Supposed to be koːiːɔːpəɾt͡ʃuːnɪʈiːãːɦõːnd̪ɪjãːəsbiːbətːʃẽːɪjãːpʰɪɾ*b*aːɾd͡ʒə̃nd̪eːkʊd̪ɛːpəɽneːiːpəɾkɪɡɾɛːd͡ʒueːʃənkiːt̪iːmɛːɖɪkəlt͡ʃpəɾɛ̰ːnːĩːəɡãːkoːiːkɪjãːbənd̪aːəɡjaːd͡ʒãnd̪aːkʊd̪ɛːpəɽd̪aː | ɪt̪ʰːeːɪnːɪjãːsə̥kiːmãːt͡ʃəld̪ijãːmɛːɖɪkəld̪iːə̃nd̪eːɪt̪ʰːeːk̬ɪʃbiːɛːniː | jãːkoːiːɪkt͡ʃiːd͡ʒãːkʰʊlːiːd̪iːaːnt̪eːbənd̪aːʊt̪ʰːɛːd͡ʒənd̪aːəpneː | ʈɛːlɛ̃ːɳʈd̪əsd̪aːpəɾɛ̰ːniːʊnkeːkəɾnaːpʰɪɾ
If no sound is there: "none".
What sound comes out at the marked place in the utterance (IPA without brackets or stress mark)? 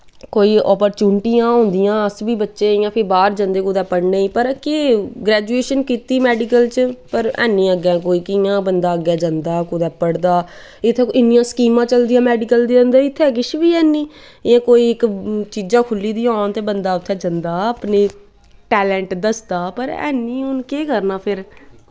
b